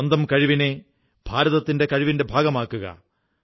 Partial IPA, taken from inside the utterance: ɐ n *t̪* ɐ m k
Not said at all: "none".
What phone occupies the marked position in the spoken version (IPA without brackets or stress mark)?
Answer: d̪